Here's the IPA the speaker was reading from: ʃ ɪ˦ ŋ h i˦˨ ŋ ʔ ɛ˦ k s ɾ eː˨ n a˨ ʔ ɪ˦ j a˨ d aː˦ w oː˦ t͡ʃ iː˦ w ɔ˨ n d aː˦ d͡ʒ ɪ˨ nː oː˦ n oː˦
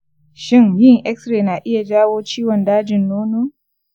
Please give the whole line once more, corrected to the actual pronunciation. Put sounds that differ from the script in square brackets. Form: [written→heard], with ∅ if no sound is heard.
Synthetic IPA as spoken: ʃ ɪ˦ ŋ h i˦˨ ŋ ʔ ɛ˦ k s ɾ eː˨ n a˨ ʔ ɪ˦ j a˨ [d→d͡ʒ] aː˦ w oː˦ t͡ʃ iː˦ w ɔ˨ n d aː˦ d͡ʒ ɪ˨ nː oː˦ n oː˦